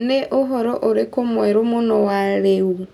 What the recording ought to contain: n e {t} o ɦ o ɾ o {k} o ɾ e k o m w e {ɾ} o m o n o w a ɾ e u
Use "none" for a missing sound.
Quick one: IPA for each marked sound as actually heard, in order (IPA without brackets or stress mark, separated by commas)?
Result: ʔ, ʔ, ɾ